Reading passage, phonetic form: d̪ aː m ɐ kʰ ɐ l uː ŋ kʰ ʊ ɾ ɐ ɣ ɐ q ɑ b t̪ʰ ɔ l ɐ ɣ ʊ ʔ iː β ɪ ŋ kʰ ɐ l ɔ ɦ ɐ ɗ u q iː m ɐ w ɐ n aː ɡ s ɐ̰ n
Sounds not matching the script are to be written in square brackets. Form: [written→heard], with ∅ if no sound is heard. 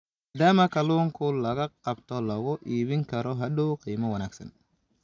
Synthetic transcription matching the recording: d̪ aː m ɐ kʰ ɐ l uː ŋ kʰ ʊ [ɾ→l] ɐ ɣ ɐ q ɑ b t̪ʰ ɔ l ɐ ɣ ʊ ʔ iː β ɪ ŋ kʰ ɐ [l→ɾ] ɔ ɦ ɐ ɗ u q iː m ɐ w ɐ n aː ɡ s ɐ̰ n

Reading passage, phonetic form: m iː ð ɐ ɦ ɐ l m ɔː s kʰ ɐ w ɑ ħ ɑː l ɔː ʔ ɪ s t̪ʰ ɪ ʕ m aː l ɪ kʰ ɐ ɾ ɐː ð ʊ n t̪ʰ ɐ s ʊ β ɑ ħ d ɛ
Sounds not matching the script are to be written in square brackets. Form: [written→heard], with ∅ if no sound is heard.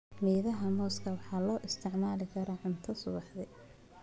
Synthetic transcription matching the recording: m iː ð ɐ ɦ ɐ [l→∅] m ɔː s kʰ ɐ w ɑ ħ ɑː l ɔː ʔ ɪ s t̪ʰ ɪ ʕ m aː l ɪ kʰ ɐ ɾ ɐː [ð→ʕ] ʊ n t̪ʰ ɐ s ʊ β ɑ ħ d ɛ

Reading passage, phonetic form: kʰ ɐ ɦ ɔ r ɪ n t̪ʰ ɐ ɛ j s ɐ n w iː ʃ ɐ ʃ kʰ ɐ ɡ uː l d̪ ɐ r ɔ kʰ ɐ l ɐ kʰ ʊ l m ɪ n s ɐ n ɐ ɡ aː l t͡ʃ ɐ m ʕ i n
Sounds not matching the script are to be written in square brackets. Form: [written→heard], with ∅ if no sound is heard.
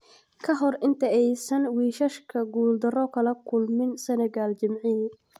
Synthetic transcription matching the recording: kʰ ɐ ɦ ɔ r ɪ n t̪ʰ ɐ ɛ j s ɐ n w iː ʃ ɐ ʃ kʰ ɐ ɡ uː l d̪ ɐ r ɔ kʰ ɐ l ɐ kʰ ʊ l m ɪ n s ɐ n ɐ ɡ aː l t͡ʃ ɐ m ʕ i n

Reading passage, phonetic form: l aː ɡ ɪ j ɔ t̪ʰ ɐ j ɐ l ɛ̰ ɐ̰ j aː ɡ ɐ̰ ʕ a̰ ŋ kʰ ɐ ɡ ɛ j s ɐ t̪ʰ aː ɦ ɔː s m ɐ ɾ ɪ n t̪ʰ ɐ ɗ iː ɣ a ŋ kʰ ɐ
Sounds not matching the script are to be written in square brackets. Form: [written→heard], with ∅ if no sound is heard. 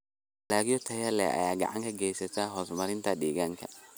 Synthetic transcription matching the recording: l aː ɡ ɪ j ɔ t̪ʰ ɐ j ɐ l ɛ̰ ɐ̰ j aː ɡ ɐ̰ ʕ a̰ ŋ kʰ ɐ ɡ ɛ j s ɐ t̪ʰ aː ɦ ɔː s m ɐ ɾ ɪ n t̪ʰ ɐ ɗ iː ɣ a ŋ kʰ ɐ

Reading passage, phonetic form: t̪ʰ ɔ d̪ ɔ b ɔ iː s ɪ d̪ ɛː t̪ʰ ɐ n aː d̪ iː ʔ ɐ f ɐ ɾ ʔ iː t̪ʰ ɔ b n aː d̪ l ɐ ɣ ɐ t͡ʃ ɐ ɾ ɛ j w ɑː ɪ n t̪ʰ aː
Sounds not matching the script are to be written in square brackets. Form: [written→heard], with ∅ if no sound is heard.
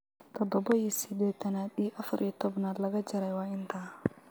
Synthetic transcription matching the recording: t̪ʰ ɔ d̪ ɔ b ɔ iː s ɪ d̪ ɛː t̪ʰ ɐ n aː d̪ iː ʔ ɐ f ɐ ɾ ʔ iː t̪ʰ ɔ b n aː d̪ l ɐ ɣ ɐ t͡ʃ ɐ ɾ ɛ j w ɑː ɪ n t̪ʰ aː

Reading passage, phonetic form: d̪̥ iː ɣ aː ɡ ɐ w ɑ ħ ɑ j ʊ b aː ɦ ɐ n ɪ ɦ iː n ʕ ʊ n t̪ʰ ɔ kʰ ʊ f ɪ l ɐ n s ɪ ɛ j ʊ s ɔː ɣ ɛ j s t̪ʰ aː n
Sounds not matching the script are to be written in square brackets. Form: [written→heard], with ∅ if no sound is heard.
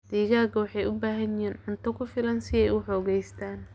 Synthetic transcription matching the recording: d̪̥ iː ɣ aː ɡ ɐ w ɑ ħ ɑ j ʊ b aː ɦ ɐ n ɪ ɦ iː n ʕ ʊ n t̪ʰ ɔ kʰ ʊ f ɪ l ɐ n s ɪ ɛ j ʊ [s→ħ] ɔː ɣ ɛ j s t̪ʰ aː n

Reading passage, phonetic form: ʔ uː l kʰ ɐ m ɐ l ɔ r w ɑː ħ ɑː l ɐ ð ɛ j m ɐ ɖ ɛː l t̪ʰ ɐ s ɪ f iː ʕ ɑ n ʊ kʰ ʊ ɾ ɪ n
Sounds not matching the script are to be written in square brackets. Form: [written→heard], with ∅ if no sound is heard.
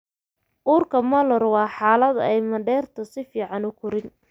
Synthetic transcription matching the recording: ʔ uː [l→r] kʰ ɐ m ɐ l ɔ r w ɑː ħ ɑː l ɐ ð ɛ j m ɐ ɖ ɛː [l→r] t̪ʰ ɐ s ɪ f iː ʕ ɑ n ʊ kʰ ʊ ɾ ɪ n

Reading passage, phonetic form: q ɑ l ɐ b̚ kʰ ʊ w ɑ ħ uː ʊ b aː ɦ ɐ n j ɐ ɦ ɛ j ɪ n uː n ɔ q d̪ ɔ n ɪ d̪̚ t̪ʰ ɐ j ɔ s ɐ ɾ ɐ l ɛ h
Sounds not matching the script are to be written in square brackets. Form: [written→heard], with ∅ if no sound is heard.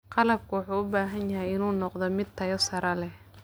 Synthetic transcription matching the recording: q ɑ l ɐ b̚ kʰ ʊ w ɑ ħ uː ʊ b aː ɦ ɐ n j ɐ ɦ ɛ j ɪ n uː n ɔ q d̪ ɔ [n→m] ɪ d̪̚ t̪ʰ ɐ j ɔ s ɐ ɾ ɐ l ɛ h

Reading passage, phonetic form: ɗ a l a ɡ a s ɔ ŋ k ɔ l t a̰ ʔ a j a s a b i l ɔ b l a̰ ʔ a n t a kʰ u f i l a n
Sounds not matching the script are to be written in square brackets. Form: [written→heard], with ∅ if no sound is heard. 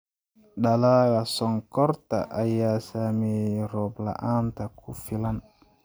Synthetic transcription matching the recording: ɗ a l a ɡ a s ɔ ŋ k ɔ [l→ɾ] t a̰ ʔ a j a s a [b→m] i [l→ɾ] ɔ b l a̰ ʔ a n t a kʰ u f i l a n

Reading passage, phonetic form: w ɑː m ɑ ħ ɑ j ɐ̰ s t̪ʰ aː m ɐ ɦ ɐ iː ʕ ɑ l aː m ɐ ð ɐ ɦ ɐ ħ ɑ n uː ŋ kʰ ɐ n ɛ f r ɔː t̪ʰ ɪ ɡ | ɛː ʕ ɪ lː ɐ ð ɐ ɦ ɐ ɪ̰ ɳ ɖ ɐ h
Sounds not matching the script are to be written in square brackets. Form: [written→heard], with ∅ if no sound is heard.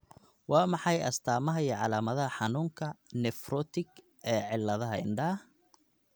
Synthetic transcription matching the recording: w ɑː m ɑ ħ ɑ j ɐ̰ s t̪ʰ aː m ɐ ɦ ɐ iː ʕ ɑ l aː m ɐ ð ɐ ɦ ɐ ħ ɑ n uː ŋ kʰ ɐ n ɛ f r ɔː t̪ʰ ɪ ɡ | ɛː ʕ ɪ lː ɐ ð ɐ ɦ ɐ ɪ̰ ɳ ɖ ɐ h

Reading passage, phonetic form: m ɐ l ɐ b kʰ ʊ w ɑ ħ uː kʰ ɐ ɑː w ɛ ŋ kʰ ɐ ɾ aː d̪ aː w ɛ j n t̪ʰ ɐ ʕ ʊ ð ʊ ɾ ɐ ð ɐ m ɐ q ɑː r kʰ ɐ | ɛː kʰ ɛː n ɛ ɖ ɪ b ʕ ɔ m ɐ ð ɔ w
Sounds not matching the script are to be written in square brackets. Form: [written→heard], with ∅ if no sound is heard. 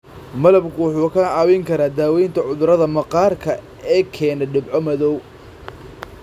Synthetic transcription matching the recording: m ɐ l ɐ b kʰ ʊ w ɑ ħ uː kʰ ɐ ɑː w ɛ ŋ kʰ ɐ ɾ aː d̪ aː w ɛ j n t̪ʰ ɐ ʕ ʊ ð ʊ ɾ ɐ ð ɐ m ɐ q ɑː r kʰ ɐ | ɛː kʰ ɛː n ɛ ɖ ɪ b ʕ ɔ m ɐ ð ɔ w

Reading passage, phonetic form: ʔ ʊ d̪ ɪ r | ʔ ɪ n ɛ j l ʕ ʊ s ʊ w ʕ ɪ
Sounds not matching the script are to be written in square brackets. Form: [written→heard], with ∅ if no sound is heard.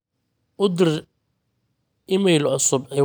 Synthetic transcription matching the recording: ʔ ʊ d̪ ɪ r | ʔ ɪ [n→m] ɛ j l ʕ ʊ s ʊ [w→b] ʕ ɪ

